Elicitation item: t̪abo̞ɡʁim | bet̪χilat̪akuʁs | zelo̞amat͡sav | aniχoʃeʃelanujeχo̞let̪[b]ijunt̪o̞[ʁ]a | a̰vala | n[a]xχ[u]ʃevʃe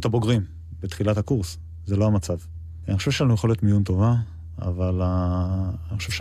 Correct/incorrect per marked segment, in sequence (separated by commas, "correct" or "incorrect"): incorrect, incorrect, incorrect, incorrect